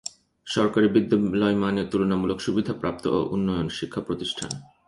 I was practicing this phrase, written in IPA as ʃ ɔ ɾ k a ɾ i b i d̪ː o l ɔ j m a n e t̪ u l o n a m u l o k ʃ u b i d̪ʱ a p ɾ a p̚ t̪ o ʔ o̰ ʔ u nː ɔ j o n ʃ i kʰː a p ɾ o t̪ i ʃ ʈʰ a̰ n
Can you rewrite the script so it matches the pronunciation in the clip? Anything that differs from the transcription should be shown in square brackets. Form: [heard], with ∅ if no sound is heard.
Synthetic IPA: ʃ ɔ ɾ k a ɾ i b i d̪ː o l ɔ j m a n e t̪ u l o n a m u l o k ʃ u b i d̪ʱ a p ɾ a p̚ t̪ o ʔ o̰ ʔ u nː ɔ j o n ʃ i kʰː a p ɾ o t̪ i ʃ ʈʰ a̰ n

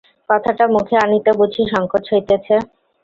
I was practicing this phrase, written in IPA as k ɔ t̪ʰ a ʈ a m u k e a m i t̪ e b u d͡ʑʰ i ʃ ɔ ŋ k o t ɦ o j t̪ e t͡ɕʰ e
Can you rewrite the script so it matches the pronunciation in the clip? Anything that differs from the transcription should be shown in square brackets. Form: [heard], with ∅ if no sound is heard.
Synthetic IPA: k ɔ t̪ʰ a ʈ a m u [kʰ] e a [n] i t̪ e b u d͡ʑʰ i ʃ ɔ ŋ k o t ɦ o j t̪ e t͡ɕʰ e

